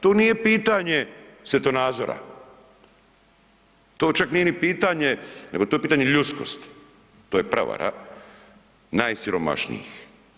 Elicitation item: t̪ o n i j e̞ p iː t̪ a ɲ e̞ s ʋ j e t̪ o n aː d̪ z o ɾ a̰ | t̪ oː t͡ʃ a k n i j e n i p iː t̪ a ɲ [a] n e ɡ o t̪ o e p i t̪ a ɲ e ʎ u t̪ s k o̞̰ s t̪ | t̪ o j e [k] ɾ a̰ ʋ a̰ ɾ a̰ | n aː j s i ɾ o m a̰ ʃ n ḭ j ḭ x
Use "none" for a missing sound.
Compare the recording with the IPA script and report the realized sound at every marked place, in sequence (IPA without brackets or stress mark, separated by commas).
e, p